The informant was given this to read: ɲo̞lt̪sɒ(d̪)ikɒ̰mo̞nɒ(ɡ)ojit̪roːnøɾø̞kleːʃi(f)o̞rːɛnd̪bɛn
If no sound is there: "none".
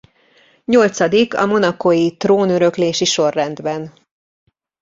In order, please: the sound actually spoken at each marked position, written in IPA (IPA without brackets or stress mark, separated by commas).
d̪, k, ʃ